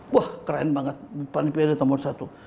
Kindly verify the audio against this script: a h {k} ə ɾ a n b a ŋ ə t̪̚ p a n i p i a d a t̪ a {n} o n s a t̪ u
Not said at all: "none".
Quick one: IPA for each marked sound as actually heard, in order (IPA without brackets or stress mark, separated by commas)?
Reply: k, m